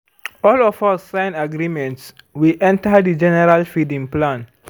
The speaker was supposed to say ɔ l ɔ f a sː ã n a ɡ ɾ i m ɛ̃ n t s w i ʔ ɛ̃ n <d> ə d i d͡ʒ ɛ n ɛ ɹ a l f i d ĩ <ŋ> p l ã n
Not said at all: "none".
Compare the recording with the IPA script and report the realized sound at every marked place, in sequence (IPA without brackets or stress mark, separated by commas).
t, ŋ